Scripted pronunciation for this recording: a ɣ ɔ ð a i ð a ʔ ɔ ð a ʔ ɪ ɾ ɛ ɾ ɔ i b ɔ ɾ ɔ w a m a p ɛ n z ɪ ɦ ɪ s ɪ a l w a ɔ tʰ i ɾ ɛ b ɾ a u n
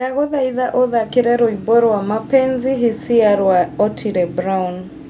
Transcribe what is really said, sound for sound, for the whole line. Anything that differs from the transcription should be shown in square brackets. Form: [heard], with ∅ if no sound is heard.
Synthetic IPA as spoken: a ɣ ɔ ð a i ð a ʔ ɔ ð a [k] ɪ ɾ ɛ ɾ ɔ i b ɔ ɾ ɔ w a m a p ɛ n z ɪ ɦ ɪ s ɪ a [ɾ] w a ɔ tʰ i ɾ ɛ b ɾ a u n